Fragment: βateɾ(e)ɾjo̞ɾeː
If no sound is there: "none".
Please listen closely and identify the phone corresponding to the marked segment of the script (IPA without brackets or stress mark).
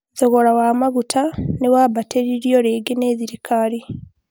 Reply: i